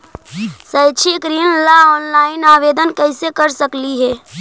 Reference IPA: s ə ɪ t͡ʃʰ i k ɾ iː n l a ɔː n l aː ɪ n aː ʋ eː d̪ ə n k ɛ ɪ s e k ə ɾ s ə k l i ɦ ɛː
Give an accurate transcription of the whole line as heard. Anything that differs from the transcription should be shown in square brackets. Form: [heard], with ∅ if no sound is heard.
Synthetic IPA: s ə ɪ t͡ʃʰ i k ɾ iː n l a ɔː n l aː ɪ n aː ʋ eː d̪ ə n k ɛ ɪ s e k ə ɾ s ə k l i ɦ ɛː